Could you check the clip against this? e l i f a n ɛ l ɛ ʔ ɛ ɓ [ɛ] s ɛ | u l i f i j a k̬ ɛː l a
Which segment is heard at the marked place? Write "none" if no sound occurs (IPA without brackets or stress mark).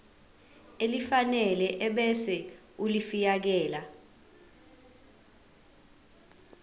ɛ